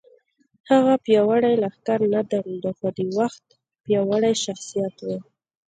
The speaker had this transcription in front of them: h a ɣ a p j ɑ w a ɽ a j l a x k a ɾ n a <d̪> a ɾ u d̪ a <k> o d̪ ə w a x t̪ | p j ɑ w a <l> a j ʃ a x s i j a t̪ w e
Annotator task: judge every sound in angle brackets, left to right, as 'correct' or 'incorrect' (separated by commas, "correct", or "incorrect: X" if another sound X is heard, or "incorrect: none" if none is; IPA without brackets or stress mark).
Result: correct, incorrect: x, incorrect: ɽ